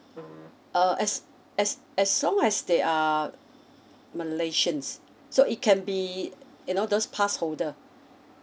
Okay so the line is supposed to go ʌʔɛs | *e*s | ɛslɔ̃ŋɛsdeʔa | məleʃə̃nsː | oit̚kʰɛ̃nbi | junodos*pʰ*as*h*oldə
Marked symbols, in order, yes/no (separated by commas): no, yes, yes